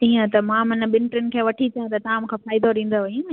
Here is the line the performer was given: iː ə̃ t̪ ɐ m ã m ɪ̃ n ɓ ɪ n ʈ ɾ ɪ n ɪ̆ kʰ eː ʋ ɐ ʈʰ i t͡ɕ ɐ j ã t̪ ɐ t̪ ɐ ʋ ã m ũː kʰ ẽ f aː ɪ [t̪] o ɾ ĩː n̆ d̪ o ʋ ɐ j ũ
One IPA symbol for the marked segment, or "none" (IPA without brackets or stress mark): d̪